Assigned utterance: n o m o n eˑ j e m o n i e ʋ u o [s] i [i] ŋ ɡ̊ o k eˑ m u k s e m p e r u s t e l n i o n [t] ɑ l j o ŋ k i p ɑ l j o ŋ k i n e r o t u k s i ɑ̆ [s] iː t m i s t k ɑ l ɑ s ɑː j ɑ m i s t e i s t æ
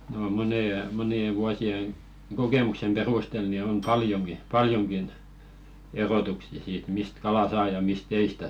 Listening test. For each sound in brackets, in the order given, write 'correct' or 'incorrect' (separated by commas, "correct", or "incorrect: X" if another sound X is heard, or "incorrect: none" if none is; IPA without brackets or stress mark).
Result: correct, incorrect: e, incorrect: p, correct